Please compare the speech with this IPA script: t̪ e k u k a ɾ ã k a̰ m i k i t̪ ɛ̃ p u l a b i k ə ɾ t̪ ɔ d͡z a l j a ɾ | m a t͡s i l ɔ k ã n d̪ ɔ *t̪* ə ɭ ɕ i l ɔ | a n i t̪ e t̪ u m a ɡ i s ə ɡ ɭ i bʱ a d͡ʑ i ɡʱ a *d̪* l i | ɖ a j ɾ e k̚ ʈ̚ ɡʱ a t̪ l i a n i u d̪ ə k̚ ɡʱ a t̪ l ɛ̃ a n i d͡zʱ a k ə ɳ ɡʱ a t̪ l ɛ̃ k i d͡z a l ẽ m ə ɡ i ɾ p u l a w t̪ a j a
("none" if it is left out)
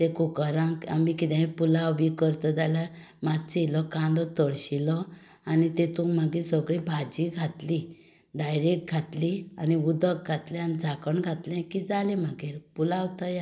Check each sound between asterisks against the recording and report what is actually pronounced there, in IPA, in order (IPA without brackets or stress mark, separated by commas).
t̪, t̪